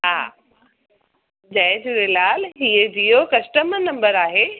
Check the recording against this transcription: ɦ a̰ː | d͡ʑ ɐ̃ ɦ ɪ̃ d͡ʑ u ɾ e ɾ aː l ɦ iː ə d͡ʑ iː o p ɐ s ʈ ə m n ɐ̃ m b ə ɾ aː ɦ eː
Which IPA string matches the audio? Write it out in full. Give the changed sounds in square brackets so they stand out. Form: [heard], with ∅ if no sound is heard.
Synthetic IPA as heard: ɦ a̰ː | d͡ʑ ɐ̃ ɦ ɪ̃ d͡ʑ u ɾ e [l] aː l ɦ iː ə d͡ʑ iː o [k] ɐ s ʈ ə m n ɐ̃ m b ə ɾ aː ɦ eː